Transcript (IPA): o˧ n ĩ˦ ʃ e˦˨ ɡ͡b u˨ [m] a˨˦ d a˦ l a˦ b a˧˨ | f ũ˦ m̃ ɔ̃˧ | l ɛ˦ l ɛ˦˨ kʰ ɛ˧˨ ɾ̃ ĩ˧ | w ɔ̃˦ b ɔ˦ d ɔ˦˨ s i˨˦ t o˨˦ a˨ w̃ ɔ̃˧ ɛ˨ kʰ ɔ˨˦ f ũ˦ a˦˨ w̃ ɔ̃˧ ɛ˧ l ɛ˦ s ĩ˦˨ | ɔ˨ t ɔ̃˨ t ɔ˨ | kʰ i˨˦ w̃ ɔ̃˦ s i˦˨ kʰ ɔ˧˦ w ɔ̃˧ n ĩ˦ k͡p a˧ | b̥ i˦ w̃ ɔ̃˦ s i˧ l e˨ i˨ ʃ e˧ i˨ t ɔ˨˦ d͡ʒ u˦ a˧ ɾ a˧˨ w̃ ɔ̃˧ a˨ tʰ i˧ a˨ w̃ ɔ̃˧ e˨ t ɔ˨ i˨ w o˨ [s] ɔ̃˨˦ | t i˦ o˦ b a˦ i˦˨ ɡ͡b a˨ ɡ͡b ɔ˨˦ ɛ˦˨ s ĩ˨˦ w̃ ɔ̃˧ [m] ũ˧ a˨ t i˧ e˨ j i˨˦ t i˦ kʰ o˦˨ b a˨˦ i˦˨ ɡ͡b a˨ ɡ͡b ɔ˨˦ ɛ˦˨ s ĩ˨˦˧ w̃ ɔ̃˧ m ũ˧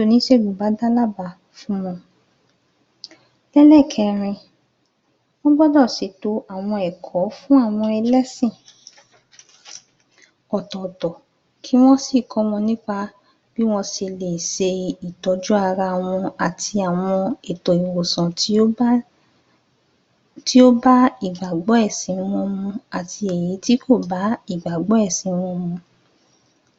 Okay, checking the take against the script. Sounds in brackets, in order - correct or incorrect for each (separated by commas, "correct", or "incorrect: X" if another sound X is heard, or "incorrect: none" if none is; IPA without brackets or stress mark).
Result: incorrect: b, correct, correct